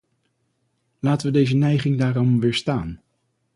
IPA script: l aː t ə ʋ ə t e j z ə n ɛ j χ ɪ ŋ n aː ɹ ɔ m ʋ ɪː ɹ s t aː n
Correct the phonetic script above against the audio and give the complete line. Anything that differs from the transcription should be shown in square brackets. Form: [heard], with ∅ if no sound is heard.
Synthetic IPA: l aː t ə ʋ ə [d] e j z ə n ɛ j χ ɪ ŋ [d] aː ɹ ɔ m ʋ ɪː ɹ s t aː n